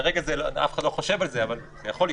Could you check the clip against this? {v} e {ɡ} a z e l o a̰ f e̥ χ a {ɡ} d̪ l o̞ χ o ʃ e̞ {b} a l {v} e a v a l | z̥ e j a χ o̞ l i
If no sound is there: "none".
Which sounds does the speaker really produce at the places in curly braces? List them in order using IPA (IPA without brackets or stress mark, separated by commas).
ʁ, ɡ, none, v, z